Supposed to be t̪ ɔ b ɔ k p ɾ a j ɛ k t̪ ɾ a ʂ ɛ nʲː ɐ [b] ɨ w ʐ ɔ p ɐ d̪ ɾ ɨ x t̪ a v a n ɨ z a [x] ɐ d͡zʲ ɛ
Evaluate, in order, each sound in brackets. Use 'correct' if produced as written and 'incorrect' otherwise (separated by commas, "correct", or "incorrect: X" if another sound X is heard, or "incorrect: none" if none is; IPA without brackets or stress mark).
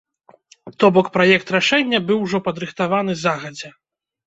correct, incorrect: ɣ